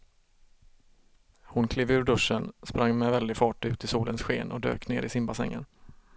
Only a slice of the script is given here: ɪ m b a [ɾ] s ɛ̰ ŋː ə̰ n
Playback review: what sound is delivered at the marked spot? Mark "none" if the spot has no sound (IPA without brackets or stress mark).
none